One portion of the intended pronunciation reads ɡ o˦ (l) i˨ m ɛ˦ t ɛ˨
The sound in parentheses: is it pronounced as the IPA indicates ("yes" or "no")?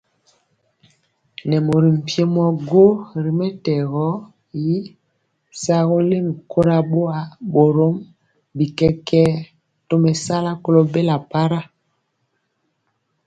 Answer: no